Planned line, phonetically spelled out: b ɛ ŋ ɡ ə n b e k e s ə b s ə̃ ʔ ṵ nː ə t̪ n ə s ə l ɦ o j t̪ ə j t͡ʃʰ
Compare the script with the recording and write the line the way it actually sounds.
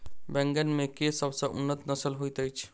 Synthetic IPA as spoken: b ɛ ŋ ɡ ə n m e k e s ə b s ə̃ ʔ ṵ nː ə t̪ n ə s ə l ɦ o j t̪ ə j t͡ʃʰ